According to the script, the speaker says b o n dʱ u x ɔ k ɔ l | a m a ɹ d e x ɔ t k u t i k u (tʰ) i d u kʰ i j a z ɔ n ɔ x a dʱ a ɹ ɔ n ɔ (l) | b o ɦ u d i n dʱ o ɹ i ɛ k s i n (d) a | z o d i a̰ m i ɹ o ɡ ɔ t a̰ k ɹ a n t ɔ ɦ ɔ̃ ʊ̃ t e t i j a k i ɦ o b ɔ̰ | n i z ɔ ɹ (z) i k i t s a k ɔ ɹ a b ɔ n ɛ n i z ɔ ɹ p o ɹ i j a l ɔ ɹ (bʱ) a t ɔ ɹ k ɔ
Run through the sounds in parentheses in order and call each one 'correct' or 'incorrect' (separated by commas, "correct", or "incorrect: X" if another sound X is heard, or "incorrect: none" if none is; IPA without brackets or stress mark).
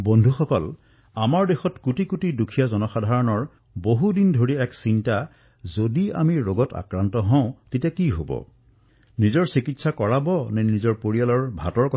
incorrect: t, incorrect: ɹ, incorrect: t, incorrect: s, correct